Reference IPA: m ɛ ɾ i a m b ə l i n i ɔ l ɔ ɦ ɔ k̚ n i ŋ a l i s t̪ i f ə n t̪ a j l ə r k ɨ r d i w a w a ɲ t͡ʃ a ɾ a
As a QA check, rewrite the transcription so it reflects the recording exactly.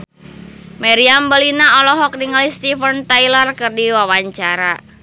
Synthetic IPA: m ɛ ɾ i a m b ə l i n a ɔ l ɔ ɦ ɔ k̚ n i ŋ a l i s t̪ i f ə n t̪ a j l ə r k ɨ r d i w a w a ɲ t͡ʃ a ɾ a